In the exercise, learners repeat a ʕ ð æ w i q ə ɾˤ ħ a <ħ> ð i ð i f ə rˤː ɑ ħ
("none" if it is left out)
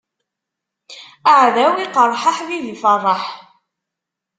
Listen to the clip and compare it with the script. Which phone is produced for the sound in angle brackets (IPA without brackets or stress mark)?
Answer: ħ